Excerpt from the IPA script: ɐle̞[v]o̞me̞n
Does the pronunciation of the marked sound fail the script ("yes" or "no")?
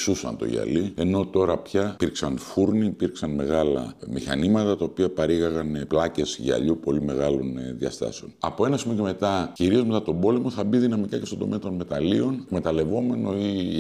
no